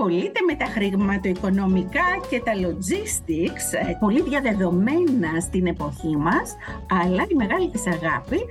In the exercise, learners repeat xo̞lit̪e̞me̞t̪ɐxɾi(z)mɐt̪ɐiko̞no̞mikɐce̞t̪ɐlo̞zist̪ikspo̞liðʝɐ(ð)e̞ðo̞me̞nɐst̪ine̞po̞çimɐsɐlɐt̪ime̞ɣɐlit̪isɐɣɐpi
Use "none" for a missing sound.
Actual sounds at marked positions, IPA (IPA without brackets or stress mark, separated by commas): ɣ, ð